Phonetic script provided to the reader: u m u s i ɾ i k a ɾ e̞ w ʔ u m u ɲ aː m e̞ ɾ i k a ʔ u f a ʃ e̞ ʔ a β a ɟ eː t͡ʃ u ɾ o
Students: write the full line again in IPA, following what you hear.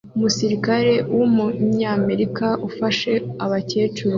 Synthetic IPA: u m u s i ɾ i k a ɾ e̞ w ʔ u m u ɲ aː m e̞ ɾ i k a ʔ u f a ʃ e̞ a β a c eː t͡ʃ u ɾ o

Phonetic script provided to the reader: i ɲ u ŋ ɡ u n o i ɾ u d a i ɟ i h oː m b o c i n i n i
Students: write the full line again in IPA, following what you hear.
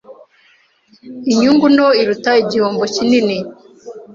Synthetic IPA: i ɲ u ŋ ɡ u n o i ɾ u t a i ɟ i h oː m b o c i n i n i

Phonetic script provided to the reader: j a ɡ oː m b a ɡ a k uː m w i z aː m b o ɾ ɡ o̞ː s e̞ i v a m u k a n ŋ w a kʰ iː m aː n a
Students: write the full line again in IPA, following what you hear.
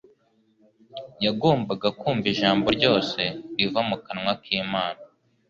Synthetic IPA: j a ɡ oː m b a ɡ a k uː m v i ʒ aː m b o ɾ ɟ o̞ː s e̞ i v a m u k a n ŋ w a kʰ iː m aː n a

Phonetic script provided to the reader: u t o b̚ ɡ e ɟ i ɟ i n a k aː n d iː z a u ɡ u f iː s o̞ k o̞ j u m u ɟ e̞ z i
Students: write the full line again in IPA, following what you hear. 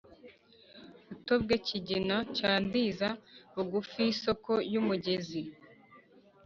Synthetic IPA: u t o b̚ ɡ e c i ɟ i n a c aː n d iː z a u ɡ u f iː s o̞ k o̞ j u m u ɟ e̞ z i

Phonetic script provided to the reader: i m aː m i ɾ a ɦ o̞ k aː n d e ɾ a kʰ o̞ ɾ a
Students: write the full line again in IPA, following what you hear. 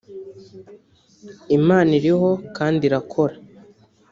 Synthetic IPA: i m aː n i ɾ i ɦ o̞ k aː n d i ɾ a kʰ o̞ ɾ a

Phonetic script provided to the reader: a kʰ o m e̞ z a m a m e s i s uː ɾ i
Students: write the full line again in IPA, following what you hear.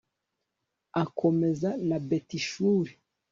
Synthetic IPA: a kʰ o m e̞ z a n a b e t i ʃ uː ɾ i

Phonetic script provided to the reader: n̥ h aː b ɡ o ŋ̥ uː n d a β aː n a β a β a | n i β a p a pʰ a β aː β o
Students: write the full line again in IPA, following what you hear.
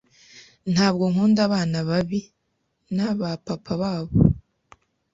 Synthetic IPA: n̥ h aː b ɡ o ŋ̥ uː n d a β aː n a β a β i | n a β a p a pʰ a β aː β o

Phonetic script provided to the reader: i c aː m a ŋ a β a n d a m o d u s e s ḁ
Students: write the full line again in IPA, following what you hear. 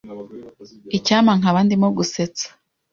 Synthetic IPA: i c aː m a ŋ a β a n d i m o ɡ u s e t͡s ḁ

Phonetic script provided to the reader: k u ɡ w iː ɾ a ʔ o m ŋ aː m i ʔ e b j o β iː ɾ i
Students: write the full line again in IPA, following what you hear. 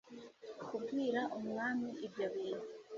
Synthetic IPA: k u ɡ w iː ɾ a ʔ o m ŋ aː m i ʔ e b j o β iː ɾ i

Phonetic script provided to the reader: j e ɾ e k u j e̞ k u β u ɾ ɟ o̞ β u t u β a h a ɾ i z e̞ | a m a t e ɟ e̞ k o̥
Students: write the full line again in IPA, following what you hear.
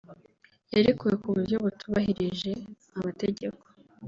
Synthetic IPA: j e ɾ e k u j e̞ k u β u ɾ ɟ o̞ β u t u β a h i ɾ i ʒ e̞ | a m a t e ɟ e̞ k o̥

